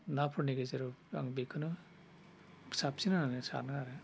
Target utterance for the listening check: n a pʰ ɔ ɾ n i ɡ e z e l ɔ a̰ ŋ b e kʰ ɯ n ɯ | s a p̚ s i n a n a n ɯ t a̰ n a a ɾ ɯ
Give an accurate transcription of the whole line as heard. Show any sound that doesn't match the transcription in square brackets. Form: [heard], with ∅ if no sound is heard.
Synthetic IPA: n a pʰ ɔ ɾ n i ɡ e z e [ɾ] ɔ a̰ ŋ b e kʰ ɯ n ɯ | s a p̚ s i n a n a n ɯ [s] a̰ n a a ɾ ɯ